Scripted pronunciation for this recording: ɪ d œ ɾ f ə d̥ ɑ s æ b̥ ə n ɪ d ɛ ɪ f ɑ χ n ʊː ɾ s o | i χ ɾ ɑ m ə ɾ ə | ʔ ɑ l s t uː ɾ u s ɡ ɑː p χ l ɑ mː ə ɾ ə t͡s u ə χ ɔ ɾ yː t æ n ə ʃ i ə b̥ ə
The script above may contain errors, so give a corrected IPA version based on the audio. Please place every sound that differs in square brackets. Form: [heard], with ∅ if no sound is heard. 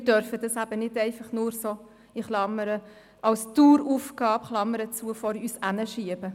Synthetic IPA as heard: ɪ d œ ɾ f ə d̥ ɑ s æ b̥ ə n ɪ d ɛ ɪ f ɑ χ n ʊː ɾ s o | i χ [l] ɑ m ə ɾ ə | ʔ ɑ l s t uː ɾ u [f] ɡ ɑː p χ l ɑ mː ə ɾ ə t͡s u ə [f] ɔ ɾ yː [s] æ n ə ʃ i ə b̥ ə